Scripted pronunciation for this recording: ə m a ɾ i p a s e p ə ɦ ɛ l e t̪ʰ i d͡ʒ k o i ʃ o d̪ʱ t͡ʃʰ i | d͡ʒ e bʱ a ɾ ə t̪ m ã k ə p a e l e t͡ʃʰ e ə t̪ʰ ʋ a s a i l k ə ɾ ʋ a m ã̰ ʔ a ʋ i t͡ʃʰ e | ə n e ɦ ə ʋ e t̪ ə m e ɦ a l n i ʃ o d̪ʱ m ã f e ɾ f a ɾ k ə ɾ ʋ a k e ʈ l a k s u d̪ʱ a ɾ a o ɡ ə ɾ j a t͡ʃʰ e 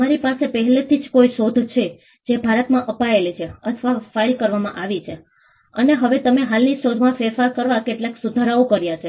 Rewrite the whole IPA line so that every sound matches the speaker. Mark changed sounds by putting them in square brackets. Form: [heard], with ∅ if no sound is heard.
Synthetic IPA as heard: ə m a ɾ i p a s e p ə ɦ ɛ l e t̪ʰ i d͡ʒ k o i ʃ o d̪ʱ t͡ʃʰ [e] | d͡ʒ e bʱ a ɾ ə t̪ m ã [ʔ] ə p a e l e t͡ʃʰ e ə t̪ʰ ʋ a [f] a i l k ə ɾ ʋ a m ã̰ ʔ a ʋ i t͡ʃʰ e | ə n e ɦ ə ʋ e t̪ ə m e ɦ a l n i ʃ o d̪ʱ m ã f e ɾ f a ɾ k ə ɾ ʋ a k e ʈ l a k s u d̪ʱ a ɾ a o [k] ə ɾ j a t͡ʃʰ e

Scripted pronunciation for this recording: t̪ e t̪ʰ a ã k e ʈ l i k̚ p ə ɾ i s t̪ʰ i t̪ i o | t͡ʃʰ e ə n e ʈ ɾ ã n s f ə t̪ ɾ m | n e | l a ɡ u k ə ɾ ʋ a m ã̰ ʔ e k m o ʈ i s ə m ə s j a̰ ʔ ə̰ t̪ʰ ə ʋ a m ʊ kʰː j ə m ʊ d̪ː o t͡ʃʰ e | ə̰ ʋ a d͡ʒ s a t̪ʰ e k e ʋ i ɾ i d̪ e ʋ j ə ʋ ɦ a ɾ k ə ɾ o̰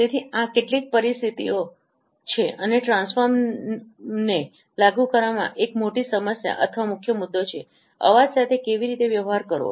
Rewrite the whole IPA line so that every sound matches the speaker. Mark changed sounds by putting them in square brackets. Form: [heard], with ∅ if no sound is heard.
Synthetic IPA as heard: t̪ e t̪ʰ [i] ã k e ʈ l i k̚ p ə ɾ i s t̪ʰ i t̪ i o | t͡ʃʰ e ə n e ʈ ɾ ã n s f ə [∅] ɾ m | n e | l a ɡ u k ə ɾ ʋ a m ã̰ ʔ e k m o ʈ i s ə m ə s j a̰ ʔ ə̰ t̪ʰ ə ʋ a m ʊ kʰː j ə m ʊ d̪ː o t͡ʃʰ e | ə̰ ʋ a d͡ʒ s a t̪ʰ e k e ʋ i ɾ i [t̪] e ʋ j ə ʋ ɦ a ɾ k ə ɾ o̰

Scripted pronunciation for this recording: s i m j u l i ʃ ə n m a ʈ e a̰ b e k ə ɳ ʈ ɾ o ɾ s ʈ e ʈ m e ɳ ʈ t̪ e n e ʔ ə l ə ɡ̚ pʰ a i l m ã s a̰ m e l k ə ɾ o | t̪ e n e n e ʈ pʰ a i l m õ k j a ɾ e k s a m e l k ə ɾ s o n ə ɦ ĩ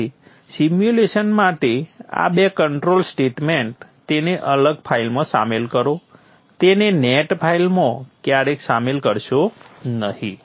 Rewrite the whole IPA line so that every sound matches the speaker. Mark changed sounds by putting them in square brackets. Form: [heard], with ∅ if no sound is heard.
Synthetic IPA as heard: s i m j u l [e] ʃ ə n m a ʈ e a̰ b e k ə ɳ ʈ ɾ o [l] s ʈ e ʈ m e ɳ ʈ t̪ e n e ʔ ə l ə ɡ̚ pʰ a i l m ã s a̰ m e l k ə ɾ o | t̪ e n e n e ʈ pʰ a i l m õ k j a ɾ e k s a m e l k ə ɾ [ʃ] o n ə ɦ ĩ

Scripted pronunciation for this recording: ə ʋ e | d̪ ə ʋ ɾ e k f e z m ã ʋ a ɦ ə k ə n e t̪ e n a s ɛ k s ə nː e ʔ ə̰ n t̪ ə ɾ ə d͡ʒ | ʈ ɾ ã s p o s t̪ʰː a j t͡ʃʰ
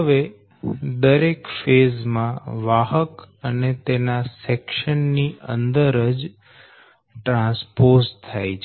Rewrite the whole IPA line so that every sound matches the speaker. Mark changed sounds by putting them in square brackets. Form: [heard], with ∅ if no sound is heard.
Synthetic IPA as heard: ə ʋ e | d̪ ə [∅] ɾ e k f e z m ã ʋ a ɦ ə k ə n e t̪ e n a s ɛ k [ʃ] ə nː [i] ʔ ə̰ n [d̪] ə ɾ ə d͡ʒ | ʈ ɾ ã s p o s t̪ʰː a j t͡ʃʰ

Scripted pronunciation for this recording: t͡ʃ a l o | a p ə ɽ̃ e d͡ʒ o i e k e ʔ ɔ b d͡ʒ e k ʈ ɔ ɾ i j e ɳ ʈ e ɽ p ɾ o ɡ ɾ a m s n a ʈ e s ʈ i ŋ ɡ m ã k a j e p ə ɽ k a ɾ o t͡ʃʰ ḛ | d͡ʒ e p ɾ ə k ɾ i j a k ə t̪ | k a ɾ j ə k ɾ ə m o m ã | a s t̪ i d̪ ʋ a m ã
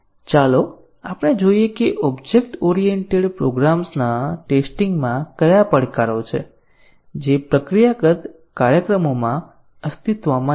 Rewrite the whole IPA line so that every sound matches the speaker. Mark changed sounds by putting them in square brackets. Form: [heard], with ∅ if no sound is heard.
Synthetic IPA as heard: t͡ʃ a l o | a p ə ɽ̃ e d͡ʒ o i e k e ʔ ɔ b d͡ʒ e k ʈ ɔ ɾ i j e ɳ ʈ e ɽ p ɾ o ɡ ɾ a m s n a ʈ e s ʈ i ŋ ɡ m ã k [ə] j [a] p ə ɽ k a ɾ o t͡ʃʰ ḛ | d͡ʒ e p ɾ ə k ɾ i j a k ə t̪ | k a ɾ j ə k ɾ ə m o m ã | [ə] s t̪ i [t̪] ʋ a m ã

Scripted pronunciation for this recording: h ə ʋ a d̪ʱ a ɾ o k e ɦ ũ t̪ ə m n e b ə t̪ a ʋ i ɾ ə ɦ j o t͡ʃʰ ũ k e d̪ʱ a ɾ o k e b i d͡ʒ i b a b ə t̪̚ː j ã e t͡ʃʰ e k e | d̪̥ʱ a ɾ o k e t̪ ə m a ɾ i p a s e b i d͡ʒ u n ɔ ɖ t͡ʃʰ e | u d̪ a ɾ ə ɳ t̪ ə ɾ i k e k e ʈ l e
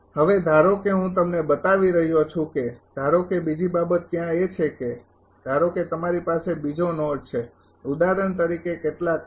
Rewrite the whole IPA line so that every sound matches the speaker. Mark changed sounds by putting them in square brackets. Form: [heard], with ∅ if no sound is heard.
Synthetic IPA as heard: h ə ʋ [e] d̪ʱ a ɾ o k e ɦ ũ t̪ ə m n e b ə t̪ a ʋ i ɾ ə ɦ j o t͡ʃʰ ũ k e d̪ʱ a ɾ o k e b i d͡ʒ i b a b ə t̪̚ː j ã e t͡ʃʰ e k e | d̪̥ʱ a ɾ o k e t̪ ə m a ɾ i p a s e b i d͡ʒ [o] n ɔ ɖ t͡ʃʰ e | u d̪ a ɾ ə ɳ t̪ ə ɾ i k e k e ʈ l [a]

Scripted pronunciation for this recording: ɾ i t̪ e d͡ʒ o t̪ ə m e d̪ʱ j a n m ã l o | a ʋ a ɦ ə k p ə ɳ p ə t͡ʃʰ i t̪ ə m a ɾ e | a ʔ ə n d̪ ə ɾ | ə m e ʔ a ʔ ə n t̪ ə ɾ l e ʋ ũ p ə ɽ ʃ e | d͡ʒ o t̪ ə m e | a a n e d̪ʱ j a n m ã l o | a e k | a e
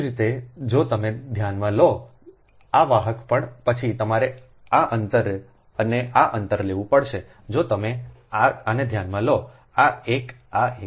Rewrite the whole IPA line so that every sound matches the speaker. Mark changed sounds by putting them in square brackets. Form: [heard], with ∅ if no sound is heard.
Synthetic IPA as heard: ɾ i t̪ e d͡ʒ o t̪ ə m e d̪ʱ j a n m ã l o | a ʋ a ɦ ə k p ə ɳ p ə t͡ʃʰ i t̪ ə m a ɾ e | a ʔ ə n [t̪] ə ɾ | ə [n] e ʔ a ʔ ə n t̪ ə ɾ l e ʋ ũ p ə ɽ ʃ e | d͡ʒ o t̪ ə m e | a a n e d̪ʱ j a n m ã l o | a e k | a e

